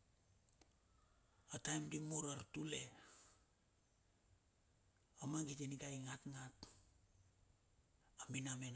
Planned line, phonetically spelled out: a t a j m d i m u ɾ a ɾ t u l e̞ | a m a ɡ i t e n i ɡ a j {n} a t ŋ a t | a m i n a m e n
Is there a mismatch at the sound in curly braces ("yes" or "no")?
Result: yes